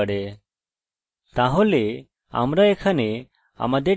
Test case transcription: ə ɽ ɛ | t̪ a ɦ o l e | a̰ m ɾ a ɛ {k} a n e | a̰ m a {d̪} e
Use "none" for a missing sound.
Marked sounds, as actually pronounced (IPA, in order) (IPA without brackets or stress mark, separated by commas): kʰ, d̪